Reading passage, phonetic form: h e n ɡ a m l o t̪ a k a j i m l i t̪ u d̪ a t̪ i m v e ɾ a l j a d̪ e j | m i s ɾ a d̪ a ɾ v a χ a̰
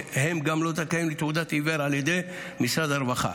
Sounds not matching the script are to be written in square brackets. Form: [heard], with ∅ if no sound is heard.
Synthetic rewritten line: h e [m] ɡ a m l o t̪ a k a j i m l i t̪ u d̪ a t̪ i [∅] v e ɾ a l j [e] d̪ e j | m i s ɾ a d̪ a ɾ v a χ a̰